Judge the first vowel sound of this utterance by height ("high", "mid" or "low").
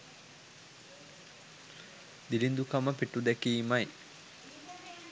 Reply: high